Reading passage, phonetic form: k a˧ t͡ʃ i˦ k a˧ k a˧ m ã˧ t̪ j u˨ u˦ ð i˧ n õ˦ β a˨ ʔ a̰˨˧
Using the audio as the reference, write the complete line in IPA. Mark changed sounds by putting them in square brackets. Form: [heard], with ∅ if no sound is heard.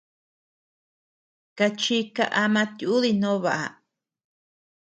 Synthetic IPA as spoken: k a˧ t͡ʃ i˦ k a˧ [ʔ] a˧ m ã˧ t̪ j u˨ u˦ ð i˧ n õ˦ β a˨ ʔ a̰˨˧

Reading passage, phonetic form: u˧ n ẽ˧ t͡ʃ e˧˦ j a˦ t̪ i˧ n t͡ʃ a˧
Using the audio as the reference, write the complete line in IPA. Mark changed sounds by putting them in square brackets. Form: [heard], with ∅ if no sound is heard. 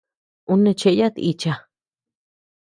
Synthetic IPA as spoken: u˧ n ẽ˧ t͡ʃ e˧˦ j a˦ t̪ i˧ [∅] t͡ʃ a˧

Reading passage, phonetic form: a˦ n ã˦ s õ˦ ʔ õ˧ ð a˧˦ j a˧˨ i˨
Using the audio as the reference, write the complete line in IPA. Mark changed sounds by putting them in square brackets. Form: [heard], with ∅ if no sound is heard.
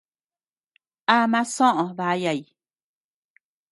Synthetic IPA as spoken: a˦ [m] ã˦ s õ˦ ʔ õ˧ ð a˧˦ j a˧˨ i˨

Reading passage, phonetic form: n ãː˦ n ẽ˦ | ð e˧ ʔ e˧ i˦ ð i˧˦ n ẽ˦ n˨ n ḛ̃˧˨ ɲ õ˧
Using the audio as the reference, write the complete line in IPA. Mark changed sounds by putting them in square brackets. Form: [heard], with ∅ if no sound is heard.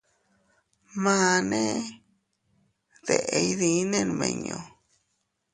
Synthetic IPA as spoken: [m] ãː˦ n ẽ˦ | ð e˧ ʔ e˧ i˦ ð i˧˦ n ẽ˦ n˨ [m] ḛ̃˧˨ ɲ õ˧

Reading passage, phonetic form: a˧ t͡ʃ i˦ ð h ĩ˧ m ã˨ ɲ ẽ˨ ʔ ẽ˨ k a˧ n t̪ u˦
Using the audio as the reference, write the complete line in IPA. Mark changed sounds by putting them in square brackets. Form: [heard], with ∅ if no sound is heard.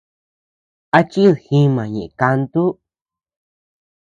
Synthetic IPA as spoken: a˧ t͡ʃ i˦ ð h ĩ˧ m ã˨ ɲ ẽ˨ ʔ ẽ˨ k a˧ n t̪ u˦

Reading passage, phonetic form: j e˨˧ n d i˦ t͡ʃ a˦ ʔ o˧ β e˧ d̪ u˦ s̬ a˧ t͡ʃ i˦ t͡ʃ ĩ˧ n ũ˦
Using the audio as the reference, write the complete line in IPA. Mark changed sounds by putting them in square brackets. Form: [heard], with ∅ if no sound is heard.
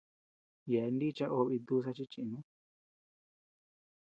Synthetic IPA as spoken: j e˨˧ n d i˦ t͡ʃ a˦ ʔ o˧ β [i˧] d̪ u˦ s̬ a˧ t͡ʃ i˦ t͡ʃ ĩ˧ n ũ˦

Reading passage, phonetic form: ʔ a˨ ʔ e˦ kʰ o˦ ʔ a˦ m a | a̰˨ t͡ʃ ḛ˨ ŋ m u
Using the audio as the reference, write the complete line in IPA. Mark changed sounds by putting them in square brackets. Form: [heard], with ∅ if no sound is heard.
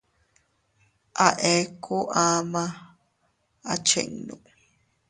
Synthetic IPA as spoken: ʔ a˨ ʔ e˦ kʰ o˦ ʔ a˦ m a | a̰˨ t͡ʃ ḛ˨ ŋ [n] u

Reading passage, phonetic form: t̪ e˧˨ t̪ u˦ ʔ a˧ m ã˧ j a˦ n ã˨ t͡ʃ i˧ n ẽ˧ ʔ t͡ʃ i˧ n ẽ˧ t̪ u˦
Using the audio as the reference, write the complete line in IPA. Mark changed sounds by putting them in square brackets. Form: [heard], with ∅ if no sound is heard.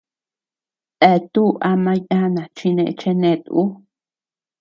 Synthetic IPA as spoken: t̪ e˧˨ t̪ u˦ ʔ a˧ m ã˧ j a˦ n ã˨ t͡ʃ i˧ n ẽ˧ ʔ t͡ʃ [e˧] n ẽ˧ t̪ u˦

